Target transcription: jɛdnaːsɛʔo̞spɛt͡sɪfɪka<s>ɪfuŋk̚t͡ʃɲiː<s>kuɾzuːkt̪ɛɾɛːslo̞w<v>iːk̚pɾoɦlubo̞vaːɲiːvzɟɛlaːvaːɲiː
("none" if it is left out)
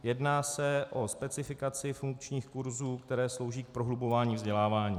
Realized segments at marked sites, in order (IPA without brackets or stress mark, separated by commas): t͡s, x, ʒ